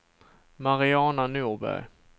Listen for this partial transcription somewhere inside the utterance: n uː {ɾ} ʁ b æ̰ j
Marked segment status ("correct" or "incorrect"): incorrect